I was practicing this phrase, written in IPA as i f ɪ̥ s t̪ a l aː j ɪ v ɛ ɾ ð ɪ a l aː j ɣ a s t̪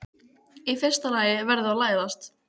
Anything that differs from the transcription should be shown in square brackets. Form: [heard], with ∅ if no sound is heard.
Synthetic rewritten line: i f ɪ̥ s t̪ a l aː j ɪ v ɛ ɾ ð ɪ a l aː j [ð] a s t̪